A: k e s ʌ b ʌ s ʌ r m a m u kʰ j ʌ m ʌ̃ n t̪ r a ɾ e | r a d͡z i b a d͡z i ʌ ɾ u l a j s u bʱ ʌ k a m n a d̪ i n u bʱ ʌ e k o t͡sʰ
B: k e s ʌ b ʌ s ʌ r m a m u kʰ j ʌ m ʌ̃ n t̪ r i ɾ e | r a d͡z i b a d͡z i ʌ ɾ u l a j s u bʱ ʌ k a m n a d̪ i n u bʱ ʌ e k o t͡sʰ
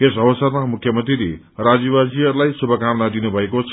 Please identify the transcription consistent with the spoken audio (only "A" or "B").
B